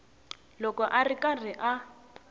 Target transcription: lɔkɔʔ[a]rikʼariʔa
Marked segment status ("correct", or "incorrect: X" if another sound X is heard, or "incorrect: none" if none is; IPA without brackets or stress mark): correct